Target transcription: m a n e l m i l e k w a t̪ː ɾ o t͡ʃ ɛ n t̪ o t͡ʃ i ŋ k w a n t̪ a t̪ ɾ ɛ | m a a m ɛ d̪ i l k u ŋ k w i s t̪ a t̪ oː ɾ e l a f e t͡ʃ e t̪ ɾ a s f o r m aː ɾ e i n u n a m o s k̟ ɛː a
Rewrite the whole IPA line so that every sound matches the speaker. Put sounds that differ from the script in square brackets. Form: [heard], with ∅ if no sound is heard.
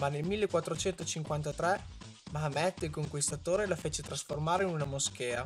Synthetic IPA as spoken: m a n e l m i [lː] e k w a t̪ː ɾ o t͡ʃ ɛ n t̪ o t͡ʃ i ŋ k w a n t̪ a t̪ ɾ ɛ | m a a m ɛ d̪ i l k [o] ŋ k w i s t̪ a t̪ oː ɾ e l a f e t͡ʃ e t̪ ɾ a s f o r m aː ɾ e i n u n a m o s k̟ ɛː a